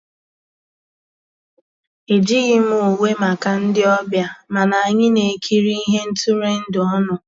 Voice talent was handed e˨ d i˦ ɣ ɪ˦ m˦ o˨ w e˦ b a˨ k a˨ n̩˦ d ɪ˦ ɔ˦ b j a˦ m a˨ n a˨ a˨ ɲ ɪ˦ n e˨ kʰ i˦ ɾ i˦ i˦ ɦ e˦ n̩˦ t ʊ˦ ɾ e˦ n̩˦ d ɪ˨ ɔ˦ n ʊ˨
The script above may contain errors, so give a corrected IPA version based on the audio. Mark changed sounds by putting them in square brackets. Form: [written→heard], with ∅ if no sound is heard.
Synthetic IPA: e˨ [d→d͡ʒ] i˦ ɣ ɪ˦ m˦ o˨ w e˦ [b→m] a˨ k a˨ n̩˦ d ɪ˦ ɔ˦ b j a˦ m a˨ n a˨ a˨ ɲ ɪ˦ n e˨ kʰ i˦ ɾ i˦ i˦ ɦ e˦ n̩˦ t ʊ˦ ɾ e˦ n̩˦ d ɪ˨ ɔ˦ n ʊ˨